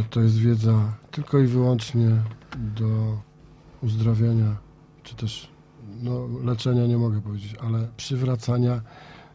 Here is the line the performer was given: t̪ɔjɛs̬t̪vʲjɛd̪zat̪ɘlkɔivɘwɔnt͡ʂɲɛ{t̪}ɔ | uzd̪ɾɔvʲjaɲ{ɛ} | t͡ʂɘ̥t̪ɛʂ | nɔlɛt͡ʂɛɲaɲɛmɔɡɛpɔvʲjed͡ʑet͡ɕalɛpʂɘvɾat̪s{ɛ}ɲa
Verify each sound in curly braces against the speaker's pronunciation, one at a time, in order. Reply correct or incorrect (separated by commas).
incorrect, incorrect, incorrect